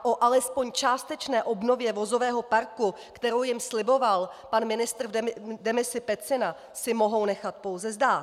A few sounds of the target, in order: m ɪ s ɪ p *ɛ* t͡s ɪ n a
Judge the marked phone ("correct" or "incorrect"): correct